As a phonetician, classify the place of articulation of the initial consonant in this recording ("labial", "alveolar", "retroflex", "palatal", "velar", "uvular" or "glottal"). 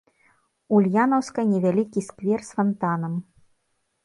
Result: alveolar